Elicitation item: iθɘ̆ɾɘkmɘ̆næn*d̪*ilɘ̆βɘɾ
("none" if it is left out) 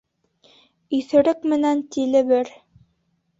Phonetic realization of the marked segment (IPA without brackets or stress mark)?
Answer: t̪